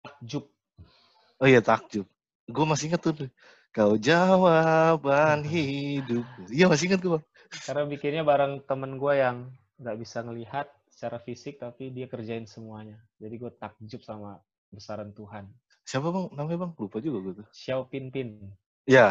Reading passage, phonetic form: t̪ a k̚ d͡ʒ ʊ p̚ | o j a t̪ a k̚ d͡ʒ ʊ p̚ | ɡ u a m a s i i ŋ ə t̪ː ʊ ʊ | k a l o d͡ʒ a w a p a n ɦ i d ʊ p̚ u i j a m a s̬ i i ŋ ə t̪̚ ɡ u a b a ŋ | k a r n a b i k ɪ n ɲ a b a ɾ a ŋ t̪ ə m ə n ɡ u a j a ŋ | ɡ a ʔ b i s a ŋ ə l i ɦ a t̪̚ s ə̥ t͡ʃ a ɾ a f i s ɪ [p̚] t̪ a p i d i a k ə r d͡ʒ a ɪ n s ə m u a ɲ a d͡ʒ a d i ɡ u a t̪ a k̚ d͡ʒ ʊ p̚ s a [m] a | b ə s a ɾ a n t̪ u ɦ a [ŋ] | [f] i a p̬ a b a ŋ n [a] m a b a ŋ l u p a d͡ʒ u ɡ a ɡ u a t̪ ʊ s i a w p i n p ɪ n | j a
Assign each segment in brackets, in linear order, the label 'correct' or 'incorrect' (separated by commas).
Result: incorrect, correct, incorrect, incorrect, correct